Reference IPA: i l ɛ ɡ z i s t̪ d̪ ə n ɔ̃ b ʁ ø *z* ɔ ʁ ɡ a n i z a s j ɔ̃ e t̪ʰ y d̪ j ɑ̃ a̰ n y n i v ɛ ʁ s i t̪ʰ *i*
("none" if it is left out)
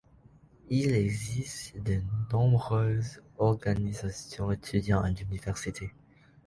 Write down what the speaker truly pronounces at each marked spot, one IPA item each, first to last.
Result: z, e

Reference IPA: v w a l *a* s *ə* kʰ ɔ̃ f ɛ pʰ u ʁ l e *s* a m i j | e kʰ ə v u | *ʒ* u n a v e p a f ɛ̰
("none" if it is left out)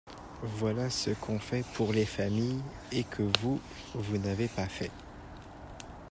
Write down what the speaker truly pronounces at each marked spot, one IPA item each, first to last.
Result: a, ə, f, v

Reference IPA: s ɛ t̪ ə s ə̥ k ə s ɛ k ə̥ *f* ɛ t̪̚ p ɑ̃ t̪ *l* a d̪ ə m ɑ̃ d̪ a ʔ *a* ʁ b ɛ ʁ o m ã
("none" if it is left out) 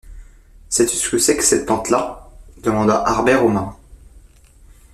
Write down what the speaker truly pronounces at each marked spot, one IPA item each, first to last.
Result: s, l, a

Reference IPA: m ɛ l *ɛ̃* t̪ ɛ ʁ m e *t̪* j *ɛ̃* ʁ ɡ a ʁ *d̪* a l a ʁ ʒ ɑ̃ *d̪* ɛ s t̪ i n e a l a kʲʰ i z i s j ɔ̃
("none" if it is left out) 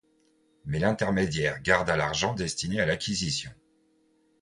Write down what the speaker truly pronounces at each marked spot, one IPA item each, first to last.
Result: ɛ̃, d̪, ɛ, d̪, d̪

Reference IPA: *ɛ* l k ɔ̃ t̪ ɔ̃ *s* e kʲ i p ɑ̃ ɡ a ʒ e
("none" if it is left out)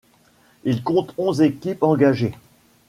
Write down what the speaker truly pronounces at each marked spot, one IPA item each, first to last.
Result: i, z

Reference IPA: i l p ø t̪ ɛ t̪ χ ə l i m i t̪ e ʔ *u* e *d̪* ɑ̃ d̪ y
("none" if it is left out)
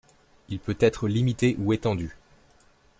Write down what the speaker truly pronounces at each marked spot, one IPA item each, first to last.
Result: u, t̪

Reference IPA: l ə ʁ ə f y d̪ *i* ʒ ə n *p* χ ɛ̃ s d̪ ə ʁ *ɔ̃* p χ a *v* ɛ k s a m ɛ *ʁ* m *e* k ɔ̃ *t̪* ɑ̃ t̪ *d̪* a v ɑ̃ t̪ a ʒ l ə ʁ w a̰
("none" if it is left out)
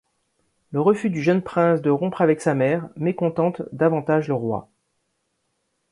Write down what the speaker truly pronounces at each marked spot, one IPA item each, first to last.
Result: y, p, ɔ̃, v, ʁ, e, t̪, d̪

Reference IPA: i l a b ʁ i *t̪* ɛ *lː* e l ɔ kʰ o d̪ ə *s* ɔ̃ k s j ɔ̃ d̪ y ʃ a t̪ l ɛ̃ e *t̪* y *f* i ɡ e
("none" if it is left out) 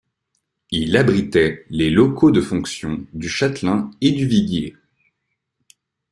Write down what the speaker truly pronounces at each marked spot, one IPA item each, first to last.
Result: t̪, l, f, d̪, v

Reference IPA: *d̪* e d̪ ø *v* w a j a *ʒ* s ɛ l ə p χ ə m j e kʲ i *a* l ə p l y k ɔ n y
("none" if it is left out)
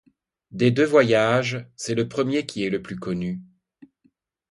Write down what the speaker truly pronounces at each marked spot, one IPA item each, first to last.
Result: d̪, v, ʒ, ɛ

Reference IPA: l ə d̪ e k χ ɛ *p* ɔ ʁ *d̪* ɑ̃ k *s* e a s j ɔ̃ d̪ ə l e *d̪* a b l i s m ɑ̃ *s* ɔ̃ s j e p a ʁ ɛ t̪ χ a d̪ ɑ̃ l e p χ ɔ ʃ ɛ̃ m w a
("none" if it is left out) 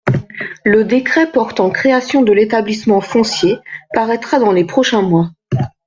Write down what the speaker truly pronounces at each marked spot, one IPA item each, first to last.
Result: p, t̪, χ, t̪, f

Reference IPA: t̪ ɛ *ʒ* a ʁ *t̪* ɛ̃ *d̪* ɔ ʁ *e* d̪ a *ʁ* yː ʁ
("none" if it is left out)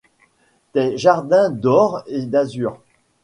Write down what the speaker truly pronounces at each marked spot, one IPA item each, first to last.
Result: ʒ, d̪, d̪, e, z

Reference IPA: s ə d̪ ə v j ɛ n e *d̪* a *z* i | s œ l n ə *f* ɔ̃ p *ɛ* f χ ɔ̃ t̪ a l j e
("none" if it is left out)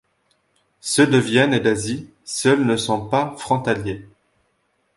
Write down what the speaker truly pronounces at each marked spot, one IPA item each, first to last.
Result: d̪, z, s, a

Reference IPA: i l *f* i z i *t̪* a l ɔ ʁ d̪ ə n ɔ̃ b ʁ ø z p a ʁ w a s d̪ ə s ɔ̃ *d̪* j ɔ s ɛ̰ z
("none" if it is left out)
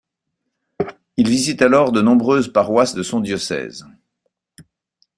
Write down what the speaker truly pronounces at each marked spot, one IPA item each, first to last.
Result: v, t̪, d̪

